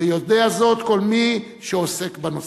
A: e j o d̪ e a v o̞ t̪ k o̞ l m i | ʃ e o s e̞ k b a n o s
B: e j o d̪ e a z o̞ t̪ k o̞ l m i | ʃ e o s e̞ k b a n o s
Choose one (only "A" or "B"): B